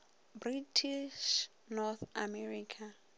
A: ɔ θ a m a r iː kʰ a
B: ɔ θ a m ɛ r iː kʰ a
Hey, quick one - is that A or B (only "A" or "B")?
B